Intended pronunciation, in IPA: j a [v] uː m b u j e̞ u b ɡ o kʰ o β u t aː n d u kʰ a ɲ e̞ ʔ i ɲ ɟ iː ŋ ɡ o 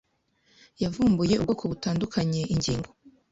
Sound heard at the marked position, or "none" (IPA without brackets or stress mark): v